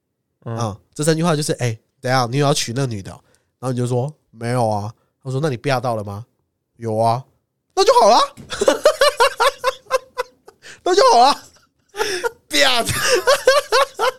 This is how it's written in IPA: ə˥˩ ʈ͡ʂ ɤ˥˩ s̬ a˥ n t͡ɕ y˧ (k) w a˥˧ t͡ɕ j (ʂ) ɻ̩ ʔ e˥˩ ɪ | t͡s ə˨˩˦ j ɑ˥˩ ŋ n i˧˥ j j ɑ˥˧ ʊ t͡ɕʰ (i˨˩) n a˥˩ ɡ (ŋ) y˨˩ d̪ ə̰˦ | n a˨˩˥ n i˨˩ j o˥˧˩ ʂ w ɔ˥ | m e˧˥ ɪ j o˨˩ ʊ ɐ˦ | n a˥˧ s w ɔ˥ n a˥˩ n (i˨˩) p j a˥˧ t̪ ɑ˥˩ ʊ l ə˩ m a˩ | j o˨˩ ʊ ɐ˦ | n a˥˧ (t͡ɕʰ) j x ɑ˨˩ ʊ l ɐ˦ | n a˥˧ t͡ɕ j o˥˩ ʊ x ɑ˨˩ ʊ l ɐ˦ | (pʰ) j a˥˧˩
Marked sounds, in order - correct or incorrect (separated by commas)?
incorrect, correct, incorrect, incorrect, correct, incorrect, incorrect